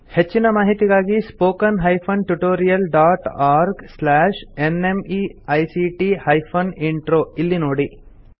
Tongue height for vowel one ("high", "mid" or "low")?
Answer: mid